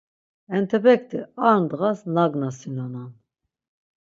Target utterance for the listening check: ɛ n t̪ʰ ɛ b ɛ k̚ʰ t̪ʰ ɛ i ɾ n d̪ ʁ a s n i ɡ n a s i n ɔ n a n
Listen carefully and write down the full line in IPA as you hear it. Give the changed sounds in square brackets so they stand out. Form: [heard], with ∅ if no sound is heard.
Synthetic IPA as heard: ɛ n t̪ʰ ɛ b ɛ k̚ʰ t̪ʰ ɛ [a] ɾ n d̪ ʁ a s n [a] ɡ n a s i n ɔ n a n